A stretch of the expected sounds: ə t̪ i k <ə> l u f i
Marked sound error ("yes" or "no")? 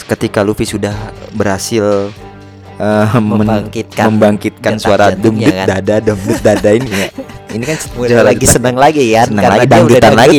yes